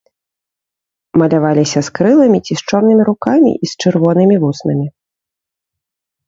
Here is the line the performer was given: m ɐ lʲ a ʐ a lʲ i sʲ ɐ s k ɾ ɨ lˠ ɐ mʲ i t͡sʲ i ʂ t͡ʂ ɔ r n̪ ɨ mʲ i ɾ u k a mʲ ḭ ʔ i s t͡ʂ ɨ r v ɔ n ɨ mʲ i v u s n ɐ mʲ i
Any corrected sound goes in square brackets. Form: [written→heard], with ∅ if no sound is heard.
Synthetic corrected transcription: m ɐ lʲ a [ʐ→v] a lʲ i sʲ ɐ s k ɾ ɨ lˠ ɐ mʲ i t͡sʲ i [ʂ→s] t͡ʂ ɔ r n̪ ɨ mʲ i ɾ u k a mʲ ḭ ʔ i s t͡ʂ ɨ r v ɔ n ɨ mʲ i v u s n ɐ mʲ i